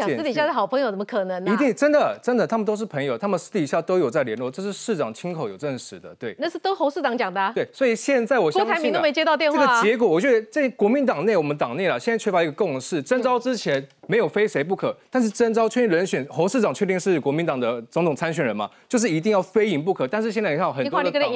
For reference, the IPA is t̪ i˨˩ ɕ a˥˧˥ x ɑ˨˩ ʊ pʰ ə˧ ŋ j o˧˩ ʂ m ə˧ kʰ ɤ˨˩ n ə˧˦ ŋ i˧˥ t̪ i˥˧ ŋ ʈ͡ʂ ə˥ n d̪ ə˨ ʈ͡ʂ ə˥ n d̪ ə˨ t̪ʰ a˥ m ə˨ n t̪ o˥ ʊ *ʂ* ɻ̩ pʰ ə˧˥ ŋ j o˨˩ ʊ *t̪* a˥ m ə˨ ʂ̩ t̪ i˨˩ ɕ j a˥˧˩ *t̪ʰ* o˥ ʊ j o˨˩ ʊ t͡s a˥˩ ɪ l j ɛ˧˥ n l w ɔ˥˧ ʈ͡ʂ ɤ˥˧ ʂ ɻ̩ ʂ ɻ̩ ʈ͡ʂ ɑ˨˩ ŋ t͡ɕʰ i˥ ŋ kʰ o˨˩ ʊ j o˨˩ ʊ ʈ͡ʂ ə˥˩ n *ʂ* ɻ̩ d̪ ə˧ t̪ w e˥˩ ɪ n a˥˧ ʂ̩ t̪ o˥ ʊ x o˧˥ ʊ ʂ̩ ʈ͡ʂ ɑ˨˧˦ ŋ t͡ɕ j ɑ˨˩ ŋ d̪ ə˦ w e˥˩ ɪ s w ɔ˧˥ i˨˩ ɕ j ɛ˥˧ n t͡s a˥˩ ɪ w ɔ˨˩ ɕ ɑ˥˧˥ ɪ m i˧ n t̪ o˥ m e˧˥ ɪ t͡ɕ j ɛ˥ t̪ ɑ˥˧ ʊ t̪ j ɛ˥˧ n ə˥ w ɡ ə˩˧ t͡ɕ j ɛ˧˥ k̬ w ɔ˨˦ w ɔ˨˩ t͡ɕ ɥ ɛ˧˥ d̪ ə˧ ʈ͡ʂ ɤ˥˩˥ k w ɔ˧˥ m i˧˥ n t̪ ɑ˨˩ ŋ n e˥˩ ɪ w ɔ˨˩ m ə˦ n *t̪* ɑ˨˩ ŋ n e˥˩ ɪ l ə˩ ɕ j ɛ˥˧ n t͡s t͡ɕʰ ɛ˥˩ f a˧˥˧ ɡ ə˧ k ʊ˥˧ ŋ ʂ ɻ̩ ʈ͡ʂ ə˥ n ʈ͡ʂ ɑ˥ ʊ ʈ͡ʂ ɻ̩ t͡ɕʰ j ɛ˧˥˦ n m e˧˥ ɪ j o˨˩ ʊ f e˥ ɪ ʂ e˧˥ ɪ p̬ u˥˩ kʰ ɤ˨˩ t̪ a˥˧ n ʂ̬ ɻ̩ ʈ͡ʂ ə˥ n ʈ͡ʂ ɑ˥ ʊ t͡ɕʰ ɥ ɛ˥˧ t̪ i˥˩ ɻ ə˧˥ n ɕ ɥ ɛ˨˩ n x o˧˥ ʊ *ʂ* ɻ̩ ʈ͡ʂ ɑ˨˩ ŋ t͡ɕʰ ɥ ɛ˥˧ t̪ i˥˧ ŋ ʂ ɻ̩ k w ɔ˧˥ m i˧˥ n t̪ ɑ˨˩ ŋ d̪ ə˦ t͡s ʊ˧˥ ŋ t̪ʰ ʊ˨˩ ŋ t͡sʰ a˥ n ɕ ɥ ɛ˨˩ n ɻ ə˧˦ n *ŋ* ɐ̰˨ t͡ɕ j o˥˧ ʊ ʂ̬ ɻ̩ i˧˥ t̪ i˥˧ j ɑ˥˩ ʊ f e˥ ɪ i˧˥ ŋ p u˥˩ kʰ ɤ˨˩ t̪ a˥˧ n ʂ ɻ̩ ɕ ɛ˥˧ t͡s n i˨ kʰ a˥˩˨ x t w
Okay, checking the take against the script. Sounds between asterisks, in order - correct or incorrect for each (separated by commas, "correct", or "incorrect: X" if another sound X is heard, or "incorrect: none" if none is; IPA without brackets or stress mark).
correct, incorrect: t̪ʰ, incorrect: t̪, correct, correct, correct, incorrect: m